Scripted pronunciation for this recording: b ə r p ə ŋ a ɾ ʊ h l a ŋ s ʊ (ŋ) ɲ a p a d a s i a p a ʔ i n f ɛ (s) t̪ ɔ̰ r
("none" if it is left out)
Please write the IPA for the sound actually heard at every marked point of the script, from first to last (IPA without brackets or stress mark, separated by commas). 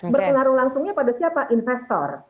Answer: ŋ, s